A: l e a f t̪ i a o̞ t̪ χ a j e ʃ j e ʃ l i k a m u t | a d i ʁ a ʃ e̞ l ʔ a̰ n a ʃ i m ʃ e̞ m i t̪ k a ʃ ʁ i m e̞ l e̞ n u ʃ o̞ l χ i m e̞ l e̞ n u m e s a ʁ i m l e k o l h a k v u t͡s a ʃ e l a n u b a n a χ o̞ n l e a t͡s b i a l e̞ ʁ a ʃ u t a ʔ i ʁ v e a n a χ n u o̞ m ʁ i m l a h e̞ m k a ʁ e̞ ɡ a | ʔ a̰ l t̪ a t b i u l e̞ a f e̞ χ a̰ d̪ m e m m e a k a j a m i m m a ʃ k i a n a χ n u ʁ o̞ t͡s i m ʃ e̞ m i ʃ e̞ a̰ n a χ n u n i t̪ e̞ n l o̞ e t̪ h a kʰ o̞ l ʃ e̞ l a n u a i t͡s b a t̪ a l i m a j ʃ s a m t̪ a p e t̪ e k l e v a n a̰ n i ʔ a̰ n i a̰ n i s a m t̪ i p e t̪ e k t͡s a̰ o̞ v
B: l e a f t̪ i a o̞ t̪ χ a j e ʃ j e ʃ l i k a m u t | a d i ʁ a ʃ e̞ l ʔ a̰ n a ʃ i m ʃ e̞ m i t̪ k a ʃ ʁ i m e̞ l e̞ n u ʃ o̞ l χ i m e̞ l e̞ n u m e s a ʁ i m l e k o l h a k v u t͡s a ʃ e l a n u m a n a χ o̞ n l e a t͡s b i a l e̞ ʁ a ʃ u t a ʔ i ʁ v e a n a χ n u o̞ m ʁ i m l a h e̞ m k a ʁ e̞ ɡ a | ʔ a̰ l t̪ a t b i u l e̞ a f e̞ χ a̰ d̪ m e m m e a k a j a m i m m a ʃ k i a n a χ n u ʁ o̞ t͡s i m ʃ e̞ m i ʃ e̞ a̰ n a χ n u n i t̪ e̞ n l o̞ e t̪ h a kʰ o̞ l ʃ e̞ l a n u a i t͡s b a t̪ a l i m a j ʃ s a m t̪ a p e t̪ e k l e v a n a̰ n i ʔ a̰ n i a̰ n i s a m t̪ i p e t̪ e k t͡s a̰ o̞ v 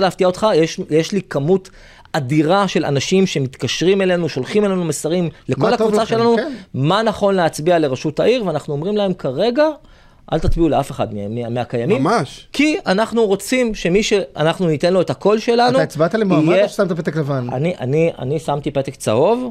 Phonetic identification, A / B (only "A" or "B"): B